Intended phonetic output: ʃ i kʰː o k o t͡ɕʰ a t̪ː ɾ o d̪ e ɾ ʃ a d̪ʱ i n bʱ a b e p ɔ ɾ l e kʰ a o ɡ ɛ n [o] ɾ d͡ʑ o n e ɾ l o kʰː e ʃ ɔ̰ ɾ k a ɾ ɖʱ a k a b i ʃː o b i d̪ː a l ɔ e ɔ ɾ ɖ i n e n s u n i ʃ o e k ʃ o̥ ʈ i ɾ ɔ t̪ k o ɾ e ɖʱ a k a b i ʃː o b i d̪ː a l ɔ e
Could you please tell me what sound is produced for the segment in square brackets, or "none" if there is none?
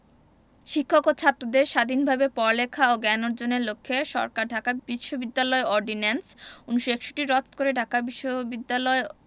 o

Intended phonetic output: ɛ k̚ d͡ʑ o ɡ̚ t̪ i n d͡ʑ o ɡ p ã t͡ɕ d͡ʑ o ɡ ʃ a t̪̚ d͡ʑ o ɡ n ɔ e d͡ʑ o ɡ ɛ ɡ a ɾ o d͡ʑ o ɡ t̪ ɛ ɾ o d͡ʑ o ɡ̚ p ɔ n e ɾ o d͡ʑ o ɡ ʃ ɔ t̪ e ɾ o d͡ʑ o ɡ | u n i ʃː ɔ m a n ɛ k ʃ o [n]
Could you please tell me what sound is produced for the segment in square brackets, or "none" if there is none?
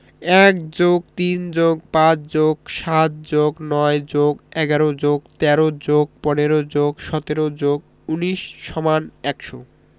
none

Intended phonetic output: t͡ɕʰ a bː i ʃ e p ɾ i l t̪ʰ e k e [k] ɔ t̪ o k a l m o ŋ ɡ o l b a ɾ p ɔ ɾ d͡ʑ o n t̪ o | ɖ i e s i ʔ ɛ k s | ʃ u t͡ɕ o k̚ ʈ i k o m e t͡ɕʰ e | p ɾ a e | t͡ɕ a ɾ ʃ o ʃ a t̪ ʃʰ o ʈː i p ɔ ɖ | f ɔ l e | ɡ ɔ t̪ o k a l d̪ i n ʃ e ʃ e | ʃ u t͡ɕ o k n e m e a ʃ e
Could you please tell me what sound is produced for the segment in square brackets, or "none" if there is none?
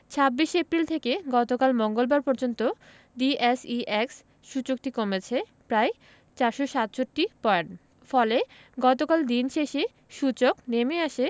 ɡ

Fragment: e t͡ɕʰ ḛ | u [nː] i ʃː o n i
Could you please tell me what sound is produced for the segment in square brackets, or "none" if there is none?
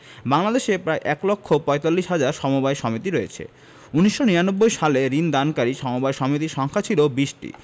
n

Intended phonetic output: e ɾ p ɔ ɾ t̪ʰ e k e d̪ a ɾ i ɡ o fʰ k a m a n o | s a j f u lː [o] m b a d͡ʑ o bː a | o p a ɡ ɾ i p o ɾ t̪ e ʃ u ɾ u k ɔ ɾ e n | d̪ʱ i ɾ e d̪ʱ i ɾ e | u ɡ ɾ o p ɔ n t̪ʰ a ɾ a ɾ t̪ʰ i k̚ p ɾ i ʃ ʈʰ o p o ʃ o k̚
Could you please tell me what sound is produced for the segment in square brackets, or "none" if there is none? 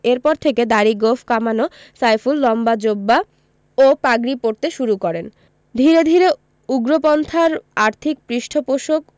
ɔ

